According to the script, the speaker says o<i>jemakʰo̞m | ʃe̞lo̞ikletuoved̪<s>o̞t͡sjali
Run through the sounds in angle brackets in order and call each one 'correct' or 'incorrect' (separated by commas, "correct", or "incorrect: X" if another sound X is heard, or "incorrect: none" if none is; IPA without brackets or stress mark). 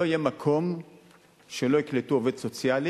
correct, correct